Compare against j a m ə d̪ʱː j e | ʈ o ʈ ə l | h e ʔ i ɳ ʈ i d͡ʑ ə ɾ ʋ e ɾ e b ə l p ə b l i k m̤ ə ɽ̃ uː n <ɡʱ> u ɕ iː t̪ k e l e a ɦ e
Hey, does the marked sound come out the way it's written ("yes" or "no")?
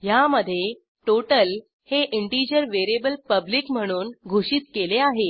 yes